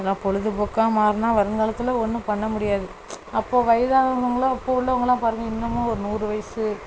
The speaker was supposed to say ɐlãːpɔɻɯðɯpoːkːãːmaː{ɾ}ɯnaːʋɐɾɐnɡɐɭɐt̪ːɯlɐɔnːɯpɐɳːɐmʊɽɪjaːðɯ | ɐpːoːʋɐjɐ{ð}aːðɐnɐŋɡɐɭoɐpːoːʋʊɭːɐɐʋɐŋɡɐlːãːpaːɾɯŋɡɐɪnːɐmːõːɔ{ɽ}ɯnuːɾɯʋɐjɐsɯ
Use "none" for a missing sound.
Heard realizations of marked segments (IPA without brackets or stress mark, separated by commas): ɾ, ð, ɾ